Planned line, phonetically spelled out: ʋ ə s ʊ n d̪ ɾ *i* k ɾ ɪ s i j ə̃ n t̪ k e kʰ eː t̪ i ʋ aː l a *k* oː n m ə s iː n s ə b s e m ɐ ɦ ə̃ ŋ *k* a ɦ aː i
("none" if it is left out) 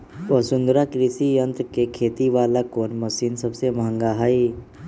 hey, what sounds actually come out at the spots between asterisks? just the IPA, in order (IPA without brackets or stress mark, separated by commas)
a, k, ɡ